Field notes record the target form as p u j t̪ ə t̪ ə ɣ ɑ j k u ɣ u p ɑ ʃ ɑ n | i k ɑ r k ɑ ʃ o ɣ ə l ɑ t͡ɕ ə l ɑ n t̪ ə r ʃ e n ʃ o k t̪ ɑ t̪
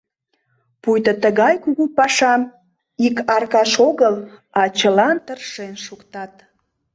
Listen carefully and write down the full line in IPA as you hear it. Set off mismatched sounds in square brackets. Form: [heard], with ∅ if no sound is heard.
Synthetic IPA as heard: p u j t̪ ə t̪ ə ɣ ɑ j k u ɣ u p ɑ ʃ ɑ [m] | i k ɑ r k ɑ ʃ o ɣ ə l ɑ t͡ɕ ə l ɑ n t̪ ə r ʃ e n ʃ [u] k t̪ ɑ t̪

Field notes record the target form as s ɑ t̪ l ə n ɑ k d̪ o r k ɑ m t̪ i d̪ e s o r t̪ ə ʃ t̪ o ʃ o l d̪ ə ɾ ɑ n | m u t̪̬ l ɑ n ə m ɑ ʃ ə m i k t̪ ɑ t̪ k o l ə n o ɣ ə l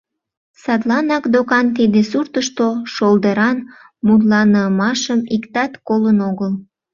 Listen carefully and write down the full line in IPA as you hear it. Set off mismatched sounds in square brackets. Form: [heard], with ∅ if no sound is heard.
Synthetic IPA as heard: s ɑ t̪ l [ɑ] n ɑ k d̪ o [∅] k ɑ [n] t̪ i d̪ e s [u] r t̪ ə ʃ t̪ o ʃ o l d̪ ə ɾ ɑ n | m u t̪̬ l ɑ n ə m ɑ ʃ ə m i k t̪ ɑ t̪ k o l ə n o ɣ ə l

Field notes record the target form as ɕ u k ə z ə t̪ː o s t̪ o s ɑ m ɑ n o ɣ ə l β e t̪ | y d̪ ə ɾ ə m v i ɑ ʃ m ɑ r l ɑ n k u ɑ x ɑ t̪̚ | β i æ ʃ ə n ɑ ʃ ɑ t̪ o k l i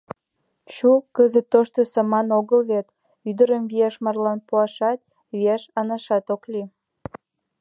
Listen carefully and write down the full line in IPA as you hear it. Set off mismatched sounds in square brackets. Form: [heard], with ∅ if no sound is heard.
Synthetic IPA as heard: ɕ u k ə z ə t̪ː o [ʃ] t̪ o s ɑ m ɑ n o ɣ ə l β e t̪ | y d̪ ə ɾ ə m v i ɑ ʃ m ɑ r l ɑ n [p] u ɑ [ʃ] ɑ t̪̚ | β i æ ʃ [ɑ] n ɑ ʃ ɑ t̪ o k l i

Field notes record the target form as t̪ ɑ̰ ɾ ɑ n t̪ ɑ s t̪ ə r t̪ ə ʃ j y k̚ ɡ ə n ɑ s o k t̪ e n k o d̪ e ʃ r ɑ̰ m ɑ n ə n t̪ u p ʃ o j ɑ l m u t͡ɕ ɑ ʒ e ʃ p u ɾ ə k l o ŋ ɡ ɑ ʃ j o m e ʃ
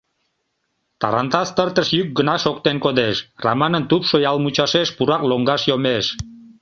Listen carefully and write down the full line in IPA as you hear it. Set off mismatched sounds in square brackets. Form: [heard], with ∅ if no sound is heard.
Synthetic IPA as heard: t̪ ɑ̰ ɾ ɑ n t̪ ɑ s t̪ ə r t̪ ə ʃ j y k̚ ɡ ə n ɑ [ʃ] o k t̪ e n k o d̪ e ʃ r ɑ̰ m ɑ n ə n t̪ u p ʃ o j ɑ l m u t͡ɕ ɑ [ʃ] e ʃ p u ɾ [ɑ] k l o ŋ ɡ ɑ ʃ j o m e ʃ

